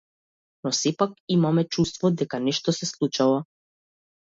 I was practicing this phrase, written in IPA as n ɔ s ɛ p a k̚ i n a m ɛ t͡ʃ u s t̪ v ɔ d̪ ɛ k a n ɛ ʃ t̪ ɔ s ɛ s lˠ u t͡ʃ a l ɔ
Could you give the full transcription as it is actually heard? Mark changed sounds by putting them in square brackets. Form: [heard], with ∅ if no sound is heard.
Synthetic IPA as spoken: n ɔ s ɛ p a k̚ i [m] a m ɛ t͡ʃ u s t̪ v ɔ d̪ ɛ k a n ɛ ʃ t̪ ɔ s ɛ s lˠ u t͡ʃ a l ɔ